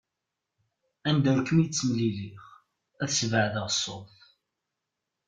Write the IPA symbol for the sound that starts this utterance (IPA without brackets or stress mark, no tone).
æ